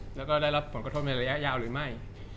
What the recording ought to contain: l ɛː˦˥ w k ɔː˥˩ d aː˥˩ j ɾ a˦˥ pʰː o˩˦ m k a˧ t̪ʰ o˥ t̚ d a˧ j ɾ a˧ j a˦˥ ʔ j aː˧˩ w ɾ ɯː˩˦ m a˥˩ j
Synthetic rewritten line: l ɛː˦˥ w k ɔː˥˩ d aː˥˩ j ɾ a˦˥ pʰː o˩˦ n k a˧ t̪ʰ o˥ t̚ n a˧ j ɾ a˧ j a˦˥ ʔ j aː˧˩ w ɾ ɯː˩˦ m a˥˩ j